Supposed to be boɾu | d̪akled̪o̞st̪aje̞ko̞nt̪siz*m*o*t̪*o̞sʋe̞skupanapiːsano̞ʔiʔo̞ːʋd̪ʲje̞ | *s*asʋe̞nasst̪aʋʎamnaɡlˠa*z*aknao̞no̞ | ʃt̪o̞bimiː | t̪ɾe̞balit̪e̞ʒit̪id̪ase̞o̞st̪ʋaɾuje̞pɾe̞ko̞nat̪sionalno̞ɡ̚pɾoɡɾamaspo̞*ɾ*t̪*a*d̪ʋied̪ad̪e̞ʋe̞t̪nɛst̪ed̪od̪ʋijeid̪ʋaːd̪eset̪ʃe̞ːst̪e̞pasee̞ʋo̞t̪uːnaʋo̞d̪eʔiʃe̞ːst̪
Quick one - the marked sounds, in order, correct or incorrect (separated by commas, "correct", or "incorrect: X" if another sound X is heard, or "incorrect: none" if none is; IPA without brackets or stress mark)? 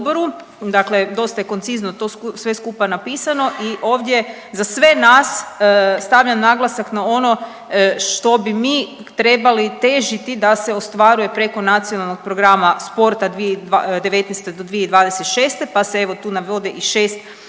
incorrect: n, correct, incorrect: z, incorrect: s, correct, correct